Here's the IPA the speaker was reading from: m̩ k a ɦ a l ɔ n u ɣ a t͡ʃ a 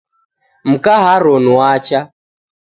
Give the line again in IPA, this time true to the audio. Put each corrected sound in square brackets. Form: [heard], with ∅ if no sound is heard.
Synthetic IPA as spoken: m̩ k a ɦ a [ɾ] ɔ n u [w] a t͡ʃ a